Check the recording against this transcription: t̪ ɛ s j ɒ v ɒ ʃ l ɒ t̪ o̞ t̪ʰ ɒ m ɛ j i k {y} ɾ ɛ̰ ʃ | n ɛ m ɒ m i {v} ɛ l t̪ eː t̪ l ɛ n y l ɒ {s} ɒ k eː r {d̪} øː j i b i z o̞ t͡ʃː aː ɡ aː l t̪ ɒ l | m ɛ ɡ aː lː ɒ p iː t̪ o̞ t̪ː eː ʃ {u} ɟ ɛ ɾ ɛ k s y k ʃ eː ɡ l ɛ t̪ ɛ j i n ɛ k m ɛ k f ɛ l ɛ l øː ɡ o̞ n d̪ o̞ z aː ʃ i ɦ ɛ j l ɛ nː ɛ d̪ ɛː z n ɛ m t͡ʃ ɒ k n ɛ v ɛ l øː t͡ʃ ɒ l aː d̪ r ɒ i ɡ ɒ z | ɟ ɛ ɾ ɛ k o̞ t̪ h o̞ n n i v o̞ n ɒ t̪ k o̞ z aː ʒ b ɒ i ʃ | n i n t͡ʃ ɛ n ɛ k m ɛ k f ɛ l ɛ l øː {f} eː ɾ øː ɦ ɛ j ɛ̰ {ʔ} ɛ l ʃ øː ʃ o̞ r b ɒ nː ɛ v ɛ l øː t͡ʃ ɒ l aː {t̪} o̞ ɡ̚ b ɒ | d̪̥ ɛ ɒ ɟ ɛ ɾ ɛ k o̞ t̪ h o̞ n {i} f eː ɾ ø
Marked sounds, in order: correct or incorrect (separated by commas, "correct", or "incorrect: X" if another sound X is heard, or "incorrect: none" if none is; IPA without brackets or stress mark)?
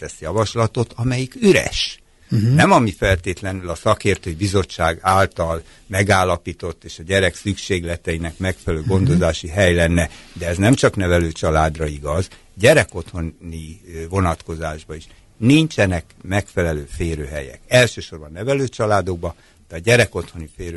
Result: correct, incorrect: f, correct, incorrect: t̪, incorrect: ɒ, correct, incorrect: k, incorrect: d̪, correct